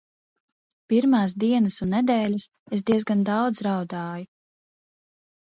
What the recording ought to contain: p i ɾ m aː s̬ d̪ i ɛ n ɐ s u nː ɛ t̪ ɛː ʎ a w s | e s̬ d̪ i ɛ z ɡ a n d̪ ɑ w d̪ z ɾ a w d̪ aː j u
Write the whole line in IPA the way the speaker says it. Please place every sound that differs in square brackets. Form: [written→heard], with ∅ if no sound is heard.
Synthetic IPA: p i ɾ m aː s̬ d̪ i ɛ n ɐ s u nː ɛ [t̪→d̪] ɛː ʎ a [w→∅] s | e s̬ d̪ i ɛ z ɡ a n d̪ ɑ w d̪ z ɾ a w d̪ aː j u